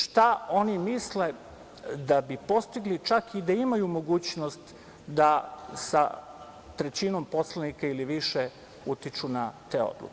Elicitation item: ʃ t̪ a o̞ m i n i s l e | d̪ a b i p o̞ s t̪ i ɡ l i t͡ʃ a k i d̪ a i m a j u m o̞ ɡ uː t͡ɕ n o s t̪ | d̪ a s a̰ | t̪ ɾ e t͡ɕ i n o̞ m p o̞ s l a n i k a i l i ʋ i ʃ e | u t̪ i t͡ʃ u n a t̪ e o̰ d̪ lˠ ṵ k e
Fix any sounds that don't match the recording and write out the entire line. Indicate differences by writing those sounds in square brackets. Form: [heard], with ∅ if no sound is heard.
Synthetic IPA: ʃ t̪ a o̞ [n] i [m] i s l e | d̪ a b i p o̞ s t̪ i ɡ l i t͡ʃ a k i d̪ a i m a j u m o̞ ɡ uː t͡ɕ n o s t̪ | d̪ a s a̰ | t̪ ɾ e t͡ɕ i n o̞ m p o̞ s l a n i k a i l i ʋ i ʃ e | u t̪ i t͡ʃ u n a t̪ e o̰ d̪ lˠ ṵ k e